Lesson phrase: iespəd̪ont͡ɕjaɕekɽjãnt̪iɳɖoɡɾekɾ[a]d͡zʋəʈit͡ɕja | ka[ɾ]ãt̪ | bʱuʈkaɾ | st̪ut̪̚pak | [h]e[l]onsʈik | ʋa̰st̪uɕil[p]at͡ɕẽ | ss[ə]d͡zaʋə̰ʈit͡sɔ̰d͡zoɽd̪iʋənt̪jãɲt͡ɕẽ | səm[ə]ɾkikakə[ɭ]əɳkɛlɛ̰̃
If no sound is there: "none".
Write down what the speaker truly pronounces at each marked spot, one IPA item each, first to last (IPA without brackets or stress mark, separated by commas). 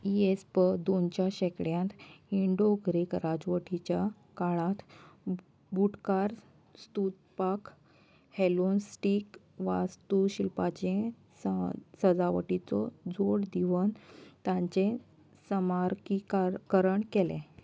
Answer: a, ɭ, h, l, p, ə, a, ɾ